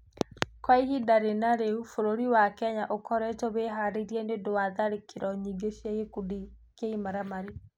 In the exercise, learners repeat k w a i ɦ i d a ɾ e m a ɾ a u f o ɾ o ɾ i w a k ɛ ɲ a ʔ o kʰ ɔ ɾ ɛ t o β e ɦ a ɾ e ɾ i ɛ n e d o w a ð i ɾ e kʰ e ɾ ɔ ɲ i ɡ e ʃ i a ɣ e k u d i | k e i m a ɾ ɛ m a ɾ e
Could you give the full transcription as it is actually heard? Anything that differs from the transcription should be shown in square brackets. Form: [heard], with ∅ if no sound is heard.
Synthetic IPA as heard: k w a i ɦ i d a ɾ e [n] a ɾ [e] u f o ɾ o ɾ i w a k ɛ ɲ a ʔ o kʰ ɔ ɾ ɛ t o β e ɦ a ɾ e ɾ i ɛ n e d o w a ð [a] ɾ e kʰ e ɾ ɔ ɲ i ɡ e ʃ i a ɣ e k u d i | k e i m a ɾ [a] m a ɾ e